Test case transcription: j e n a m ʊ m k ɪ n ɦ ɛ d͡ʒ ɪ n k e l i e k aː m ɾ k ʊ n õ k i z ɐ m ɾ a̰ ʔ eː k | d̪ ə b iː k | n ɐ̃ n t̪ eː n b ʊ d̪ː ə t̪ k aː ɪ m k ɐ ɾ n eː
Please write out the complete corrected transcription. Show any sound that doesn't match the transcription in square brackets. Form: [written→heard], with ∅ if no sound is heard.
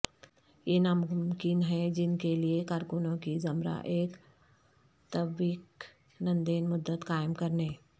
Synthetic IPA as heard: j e n a m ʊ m k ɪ n ɦ ɛ d͡ʒ ɪ n k e l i e k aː [m→∅] ɾ k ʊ n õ k i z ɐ m ɾ a̰ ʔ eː k | [d̪→t̪] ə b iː k | n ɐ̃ n [t̪→d̪] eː n [b→m] ʊ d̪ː ə t̪ k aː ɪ m k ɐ ɾ n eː